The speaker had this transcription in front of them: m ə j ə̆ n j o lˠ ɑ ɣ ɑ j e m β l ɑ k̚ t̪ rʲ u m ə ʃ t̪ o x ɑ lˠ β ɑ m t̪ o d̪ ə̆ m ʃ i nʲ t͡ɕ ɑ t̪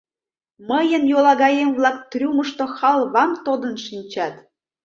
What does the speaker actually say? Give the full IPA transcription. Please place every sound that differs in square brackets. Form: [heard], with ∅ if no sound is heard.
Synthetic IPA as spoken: m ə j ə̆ n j o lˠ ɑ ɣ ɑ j e m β l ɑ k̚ t̪ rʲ u m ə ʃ t̪ o x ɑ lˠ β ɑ m t̪ o d̪ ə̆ [n] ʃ i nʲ t͡ɕ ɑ t̪